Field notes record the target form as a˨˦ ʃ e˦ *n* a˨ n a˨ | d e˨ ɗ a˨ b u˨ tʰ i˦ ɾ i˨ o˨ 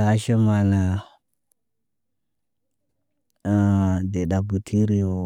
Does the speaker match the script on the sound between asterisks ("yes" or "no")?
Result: no